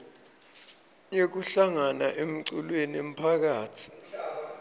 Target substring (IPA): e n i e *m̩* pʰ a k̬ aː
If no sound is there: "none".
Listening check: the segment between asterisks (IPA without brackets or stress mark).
m̩